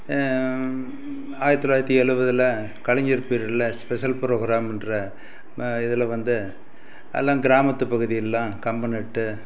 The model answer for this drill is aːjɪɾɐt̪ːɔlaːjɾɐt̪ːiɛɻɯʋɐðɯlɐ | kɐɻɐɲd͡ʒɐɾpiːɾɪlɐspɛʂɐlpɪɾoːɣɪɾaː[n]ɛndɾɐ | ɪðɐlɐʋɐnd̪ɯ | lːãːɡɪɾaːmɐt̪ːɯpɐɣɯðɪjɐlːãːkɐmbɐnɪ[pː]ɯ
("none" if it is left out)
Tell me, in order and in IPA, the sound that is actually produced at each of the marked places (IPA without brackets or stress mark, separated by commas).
m, ʈː